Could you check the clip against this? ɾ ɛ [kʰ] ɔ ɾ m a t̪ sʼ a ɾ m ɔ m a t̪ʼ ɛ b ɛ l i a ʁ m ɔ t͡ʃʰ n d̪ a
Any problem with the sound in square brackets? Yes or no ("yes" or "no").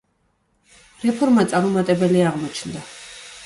yes